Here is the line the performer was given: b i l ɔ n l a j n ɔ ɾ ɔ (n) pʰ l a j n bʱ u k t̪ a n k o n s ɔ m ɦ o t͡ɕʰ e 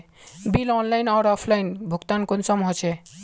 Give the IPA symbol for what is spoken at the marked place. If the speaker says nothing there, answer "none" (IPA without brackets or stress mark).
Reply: none